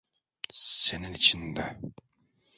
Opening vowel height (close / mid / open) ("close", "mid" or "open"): mid